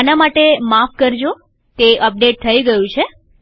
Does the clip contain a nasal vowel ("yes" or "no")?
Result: yes